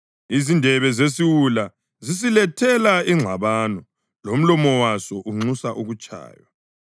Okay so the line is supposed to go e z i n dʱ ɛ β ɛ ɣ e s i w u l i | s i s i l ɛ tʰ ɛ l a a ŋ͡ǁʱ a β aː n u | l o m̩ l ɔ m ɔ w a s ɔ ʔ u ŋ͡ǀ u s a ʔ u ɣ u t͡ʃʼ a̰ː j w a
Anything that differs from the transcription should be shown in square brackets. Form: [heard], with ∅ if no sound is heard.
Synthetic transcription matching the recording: [i] z i n dʱ ɛ β ɛ [z] e s i w u l [a] | [z] i s i l ɛ tʰ ɛ l a [i] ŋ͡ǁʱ a β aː n [ɔ] | l o m̩ l ɔ m ɔ w a s ɔ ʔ u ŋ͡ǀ u s a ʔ u ɣ u t͡ʃʼ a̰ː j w a